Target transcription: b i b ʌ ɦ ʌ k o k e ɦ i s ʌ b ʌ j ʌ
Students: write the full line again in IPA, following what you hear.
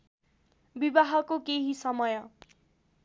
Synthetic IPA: b i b a ɦ ʌ k o k e ɦ i s ʌ m ʌ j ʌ